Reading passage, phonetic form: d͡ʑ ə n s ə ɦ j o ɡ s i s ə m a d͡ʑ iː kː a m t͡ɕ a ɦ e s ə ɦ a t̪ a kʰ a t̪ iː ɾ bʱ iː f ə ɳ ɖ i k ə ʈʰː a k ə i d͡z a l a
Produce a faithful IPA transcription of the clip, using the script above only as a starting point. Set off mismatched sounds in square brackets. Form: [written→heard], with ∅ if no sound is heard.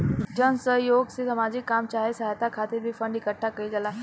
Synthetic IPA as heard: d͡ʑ ə n s ə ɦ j o ɡ s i s ə m a d͡ʑ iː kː a m t͡ɕ a ɦ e s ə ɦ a t̪ a kʰ a t̪ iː ɾ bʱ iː f ə ɳ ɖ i k ə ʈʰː a k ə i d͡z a l a